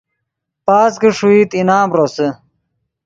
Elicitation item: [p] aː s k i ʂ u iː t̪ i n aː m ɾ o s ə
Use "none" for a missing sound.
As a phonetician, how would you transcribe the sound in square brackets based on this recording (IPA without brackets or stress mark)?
p